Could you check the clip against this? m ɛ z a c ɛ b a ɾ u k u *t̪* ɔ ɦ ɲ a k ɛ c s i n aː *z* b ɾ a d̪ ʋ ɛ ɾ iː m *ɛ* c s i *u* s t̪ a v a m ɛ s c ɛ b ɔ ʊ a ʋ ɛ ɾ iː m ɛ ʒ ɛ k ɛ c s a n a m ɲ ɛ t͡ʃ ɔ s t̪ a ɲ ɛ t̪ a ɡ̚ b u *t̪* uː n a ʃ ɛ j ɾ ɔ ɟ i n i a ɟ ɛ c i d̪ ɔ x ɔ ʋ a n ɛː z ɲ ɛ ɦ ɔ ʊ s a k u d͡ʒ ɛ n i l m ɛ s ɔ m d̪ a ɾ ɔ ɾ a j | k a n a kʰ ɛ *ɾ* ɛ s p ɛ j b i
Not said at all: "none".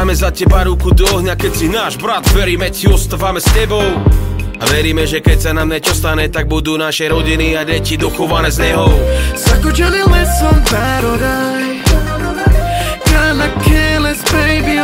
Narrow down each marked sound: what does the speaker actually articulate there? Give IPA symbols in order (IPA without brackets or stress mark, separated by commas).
d̪, ʒ, ɛ, ɔ, d̪, l